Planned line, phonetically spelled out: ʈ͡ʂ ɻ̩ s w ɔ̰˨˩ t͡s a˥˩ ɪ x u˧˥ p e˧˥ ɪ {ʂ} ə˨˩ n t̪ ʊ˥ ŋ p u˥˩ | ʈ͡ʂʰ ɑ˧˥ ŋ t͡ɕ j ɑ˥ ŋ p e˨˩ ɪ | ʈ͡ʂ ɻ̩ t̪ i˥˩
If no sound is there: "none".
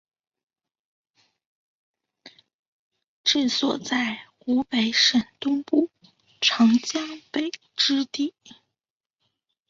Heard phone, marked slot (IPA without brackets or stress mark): ʂ